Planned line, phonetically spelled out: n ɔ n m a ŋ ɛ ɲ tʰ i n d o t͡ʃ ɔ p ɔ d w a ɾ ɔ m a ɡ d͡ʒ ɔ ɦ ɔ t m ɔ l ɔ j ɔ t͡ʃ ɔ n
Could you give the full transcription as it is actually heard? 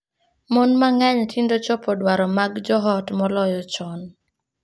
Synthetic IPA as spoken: m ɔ n m a ŋ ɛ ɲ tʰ i n d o t͡ʃ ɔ p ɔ d w a ɾ ɔ m a ɡ d͡ʒ ɔ ɦ ɔ t m ɔ l ɔ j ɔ t͡ʃ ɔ n